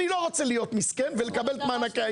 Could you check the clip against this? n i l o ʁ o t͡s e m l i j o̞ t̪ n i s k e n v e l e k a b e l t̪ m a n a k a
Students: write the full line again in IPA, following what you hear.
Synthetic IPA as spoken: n i l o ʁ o t͡s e l i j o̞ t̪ m i s k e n v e l e k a b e l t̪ m a n a k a

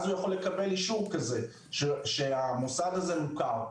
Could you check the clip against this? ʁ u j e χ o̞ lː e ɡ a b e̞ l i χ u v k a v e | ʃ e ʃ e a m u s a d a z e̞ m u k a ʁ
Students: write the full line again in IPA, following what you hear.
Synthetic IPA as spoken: z u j a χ o̞ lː e k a b e̞ l i ʃ u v k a z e | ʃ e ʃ e a m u s a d a z e̞ m u k a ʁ

